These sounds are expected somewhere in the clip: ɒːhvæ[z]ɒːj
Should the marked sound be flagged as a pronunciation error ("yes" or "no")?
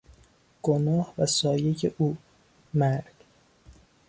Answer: yes